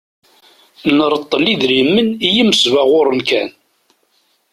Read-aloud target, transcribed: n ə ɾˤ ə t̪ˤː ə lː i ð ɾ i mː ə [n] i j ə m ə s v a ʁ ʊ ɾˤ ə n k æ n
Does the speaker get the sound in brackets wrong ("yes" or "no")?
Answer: no